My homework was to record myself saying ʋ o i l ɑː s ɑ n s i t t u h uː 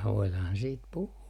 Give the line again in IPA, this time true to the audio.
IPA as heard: ʋ o i l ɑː h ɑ n s iː t p u h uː